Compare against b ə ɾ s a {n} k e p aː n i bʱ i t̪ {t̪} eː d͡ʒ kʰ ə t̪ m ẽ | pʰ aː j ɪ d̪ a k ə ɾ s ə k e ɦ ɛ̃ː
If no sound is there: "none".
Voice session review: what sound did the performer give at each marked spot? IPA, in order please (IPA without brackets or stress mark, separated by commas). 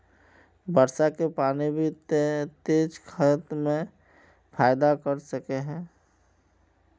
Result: none, t̪